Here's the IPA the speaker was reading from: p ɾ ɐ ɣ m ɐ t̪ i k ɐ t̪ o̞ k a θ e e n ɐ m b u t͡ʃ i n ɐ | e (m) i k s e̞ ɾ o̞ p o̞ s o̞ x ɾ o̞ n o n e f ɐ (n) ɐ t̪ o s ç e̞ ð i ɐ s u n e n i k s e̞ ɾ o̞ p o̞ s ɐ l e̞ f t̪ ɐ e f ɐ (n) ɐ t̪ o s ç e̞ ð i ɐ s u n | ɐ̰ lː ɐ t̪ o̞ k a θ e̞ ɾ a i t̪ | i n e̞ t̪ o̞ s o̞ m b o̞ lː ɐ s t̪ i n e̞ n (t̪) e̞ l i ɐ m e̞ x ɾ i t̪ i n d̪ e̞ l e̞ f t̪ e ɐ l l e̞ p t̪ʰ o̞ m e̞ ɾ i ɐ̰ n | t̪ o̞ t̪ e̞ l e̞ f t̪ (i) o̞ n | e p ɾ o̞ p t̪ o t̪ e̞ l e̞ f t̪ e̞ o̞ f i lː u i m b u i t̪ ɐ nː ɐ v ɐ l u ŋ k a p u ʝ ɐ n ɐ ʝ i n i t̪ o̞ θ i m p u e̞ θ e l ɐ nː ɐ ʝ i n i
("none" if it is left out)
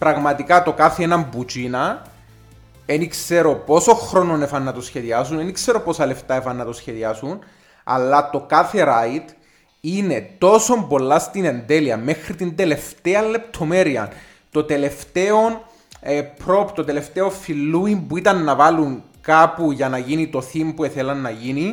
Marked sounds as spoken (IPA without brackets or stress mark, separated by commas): n, nː, nː, d̪, e